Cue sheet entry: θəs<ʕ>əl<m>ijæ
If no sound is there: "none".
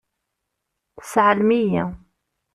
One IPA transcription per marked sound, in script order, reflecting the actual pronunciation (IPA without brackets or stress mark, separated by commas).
ʕ, m